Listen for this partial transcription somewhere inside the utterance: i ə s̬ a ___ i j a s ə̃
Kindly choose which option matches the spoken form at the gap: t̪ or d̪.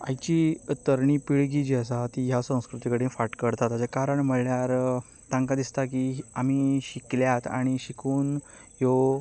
t̪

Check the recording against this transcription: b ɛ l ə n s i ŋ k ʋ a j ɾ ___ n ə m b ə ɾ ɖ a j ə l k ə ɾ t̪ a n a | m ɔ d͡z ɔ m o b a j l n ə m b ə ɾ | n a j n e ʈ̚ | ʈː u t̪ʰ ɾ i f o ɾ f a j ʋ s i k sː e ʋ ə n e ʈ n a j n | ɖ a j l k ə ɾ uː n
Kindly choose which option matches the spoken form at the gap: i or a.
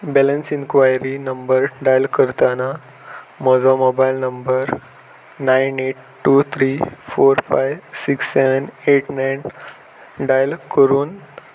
i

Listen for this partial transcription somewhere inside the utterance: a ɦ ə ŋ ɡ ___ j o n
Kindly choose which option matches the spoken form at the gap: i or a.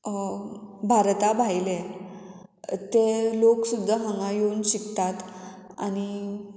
a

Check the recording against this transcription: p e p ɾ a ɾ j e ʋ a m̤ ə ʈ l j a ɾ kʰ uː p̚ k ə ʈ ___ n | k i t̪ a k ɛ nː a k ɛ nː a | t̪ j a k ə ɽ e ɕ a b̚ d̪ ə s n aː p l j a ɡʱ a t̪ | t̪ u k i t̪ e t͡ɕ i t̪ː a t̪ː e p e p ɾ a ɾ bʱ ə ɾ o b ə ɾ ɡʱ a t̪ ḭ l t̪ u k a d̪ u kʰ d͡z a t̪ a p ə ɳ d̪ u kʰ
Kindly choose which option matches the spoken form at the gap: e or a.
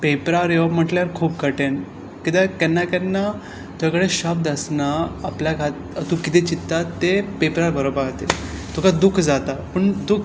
e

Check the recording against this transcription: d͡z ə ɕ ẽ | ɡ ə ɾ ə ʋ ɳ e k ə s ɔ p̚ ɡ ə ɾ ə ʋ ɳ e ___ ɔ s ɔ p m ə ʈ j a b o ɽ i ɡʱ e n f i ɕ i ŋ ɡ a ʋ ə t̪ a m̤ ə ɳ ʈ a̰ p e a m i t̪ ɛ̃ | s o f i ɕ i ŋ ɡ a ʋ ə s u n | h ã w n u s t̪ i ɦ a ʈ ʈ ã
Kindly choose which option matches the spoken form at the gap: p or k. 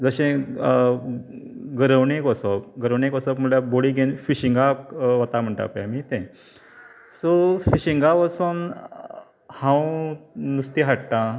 k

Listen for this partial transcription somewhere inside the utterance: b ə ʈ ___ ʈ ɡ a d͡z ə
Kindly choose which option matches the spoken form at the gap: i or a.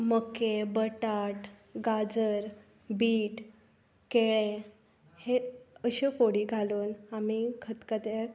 a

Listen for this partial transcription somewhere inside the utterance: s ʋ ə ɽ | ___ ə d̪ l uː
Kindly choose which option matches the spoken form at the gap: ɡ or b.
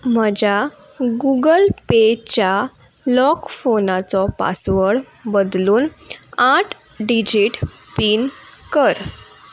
b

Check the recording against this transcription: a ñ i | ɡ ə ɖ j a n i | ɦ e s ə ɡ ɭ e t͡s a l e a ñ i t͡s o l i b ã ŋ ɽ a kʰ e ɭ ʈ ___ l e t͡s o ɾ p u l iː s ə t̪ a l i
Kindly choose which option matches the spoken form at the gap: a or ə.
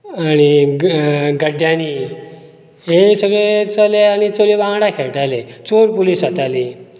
a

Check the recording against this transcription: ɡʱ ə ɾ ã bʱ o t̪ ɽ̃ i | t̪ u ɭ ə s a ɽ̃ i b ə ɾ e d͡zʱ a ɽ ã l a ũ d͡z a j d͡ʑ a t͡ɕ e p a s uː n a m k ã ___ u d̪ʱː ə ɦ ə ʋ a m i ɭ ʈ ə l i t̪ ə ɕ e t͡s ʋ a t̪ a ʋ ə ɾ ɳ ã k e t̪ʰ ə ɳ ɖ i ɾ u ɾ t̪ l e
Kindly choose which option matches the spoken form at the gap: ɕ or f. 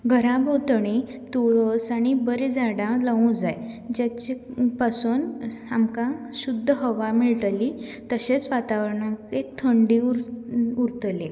ɕ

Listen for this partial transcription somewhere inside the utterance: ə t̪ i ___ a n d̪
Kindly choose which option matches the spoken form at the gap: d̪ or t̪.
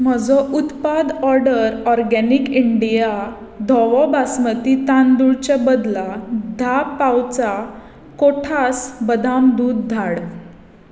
t̪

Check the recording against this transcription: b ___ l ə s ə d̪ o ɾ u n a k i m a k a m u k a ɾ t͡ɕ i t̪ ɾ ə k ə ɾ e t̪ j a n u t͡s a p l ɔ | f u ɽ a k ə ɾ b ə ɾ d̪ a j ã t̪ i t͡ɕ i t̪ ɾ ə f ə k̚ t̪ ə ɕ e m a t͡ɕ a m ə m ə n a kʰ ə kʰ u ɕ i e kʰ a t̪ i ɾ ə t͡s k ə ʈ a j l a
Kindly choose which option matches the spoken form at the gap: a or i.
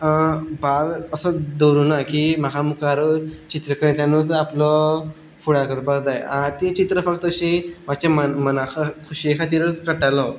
a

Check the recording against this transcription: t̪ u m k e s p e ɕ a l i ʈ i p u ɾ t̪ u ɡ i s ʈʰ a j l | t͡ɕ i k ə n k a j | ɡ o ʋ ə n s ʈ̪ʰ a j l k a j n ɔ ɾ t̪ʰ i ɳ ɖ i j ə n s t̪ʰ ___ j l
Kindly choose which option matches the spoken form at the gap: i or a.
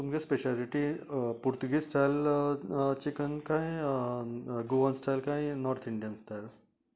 a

